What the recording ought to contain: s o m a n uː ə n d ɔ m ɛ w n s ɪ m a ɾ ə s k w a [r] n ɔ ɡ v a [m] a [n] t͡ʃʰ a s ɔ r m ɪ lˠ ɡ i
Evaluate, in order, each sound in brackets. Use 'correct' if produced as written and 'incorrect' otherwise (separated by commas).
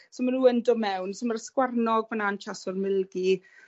correct, incorrect, correct